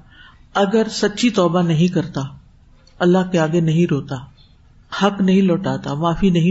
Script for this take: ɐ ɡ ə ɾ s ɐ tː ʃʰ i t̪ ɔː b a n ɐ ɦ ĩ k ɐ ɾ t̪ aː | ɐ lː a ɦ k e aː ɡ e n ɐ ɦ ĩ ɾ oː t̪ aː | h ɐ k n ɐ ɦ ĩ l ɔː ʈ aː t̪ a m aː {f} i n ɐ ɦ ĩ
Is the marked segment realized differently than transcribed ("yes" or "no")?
no